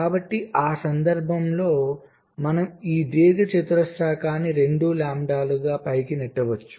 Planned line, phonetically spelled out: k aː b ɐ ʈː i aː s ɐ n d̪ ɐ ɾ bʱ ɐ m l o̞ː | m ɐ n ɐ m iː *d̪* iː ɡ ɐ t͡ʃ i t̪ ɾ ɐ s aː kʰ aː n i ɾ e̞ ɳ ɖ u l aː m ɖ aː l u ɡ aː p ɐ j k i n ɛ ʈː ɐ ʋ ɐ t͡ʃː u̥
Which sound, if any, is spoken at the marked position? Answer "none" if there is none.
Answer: d̪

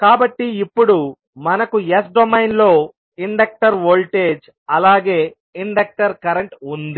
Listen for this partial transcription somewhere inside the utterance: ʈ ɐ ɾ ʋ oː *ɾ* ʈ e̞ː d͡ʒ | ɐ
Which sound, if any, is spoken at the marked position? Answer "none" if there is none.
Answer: l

